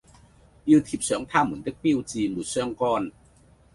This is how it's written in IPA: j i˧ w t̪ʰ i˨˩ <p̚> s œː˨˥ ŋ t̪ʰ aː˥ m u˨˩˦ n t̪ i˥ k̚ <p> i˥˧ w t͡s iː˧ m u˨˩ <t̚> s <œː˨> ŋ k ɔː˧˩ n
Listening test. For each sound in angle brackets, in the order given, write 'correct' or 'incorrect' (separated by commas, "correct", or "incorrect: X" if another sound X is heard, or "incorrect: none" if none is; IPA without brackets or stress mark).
correct, correct, correct, incorrect: œː˥˧